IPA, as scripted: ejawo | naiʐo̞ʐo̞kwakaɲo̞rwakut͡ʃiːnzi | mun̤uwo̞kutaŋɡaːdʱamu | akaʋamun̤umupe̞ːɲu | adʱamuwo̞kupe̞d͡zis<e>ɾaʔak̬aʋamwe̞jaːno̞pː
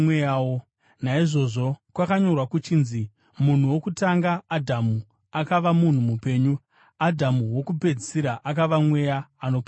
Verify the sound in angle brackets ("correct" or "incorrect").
incorrect